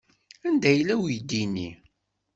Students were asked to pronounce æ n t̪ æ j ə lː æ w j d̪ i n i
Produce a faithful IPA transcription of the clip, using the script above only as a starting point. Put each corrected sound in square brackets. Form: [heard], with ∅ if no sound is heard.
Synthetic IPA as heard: æ n [d̪] æ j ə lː æ w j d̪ i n i